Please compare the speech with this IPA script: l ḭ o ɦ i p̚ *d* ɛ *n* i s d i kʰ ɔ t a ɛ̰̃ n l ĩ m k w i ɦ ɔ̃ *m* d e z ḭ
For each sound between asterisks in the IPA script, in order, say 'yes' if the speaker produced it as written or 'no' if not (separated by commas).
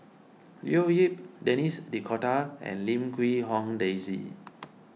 yes, yes, no